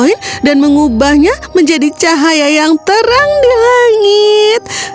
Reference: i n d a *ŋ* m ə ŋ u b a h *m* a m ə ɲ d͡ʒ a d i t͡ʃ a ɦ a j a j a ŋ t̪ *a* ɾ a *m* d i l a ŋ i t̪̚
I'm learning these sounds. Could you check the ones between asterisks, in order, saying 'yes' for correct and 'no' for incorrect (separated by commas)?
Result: no, no, no, no